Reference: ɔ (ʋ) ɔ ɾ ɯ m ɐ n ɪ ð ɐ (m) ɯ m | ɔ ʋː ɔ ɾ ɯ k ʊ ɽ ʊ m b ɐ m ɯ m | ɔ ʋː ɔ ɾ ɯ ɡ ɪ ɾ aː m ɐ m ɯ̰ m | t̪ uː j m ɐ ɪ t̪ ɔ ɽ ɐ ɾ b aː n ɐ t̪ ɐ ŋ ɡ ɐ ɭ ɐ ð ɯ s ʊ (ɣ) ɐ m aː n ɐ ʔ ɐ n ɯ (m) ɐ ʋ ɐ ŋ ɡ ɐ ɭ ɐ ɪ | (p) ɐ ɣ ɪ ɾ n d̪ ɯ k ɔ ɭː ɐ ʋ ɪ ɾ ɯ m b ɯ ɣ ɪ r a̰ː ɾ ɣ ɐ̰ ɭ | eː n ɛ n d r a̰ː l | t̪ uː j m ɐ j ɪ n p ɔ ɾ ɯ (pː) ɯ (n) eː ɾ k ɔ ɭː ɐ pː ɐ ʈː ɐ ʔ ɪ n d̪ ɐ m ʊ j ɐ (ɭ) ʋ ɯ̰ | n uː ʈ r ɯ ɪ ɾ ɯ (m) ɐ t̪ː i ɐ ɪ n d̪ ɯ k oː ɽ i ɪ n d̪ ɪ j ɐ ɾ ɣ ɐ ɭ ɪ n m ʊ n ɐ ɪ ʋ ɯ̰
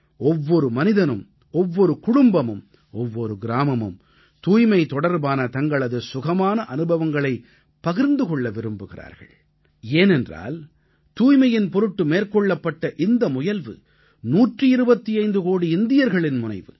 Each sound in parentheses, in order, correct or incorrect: incorrect: ʋː, incorrect: n, correct, incorrect: b, correct, incorrect: ʈː, incorrect: m, incorrect: l, incorrect: b

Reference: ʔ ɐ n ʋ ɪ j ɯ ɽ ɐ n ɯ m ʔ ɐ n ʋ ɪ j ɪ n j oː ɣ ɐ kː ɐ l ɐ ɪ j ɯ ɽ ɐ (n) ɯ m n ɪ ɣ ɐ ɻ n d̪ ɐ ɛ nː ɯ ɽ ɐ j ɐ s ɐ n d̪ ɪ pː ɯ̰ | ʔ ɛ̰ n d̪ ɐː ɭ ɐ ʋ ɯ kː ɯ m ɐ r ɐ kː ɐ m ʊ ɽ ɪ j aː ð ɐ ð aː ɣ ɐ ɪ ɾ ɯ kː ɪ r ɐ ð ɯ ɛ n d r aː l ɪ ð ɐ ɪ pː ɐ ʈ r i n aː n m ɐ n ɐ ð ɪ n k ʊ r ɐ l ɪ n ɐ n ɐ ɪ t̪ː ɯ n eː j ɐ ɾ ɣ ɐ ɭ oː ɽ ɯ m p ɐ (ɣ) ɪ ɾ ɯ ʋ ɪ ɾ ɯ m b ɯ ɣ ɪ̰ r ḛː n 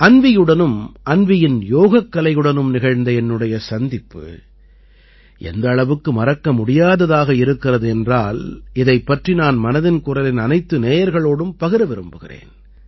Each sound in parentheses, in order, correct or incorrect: correct, correct

